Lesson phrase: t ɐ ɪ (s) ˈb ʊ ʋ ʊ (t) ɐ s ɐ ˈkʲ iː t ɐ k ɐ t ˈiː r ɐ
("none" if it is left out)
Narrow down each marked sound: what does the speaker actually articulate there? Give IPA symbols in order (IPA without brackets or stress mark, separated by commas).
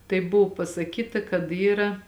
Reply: none, p